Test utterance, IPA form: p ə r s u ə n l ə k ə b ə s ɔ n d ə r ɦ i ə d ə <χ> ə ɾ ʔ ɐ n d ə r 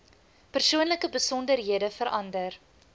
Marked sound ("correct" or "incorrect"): incorrect